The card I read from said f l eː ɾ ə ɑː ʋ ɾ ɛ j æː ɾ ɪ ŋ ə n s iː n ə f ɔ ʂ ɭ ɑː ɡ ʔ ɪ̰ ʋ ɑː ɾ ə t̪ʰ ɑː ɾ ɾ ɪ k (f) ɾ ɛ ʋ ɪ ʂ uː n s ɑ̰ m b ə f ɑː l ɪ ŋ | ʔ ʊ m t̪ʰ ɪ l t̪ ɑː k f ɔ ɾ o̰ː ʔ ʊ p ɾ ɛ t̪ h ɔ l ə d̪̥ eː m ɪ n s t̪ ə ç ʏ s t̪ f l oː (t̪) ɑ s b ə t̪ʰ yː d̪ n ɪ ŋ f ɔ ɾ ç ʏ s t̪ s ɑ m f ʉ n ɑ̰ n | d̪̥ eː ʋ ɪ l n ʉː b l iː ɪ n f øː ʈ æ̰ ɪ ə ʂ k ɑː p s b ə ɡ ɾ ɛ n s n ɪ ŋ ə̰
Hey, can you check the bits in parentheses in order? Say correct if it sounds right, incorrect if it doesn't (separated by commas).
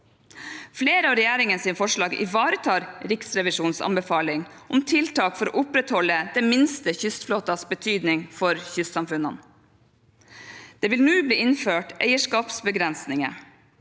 incorrect, correct